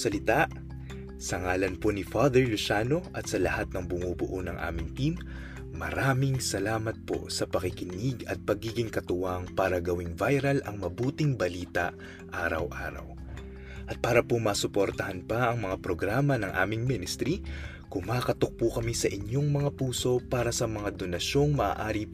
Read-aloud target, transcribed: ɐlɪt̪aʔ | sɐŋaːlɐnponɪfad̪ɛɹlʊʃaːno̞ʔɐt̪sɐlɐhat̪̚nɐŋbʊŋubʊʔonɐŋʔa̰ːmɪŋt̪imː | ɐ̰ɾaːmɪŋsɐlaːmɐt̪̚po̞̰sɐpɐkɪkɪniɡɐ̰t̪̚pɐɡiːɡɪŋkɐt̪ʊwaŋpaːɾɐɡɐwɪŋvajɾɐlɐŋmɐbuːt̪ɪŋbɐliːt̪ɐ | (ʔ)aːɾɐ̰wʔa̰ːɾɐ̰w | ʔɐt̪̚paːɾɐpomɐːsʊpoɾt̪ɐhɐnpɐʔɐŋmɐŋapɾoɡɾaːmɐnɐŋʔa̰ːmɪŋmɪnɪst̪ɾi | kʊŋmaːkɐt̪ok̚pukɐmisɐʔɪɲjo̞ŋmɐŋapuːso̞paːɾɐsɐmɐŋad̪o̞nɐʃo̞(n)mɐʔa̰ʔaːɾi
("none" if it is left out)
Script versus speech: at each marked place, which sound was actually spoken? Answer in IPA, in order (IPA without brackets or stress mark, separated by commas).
ʔ, ŋ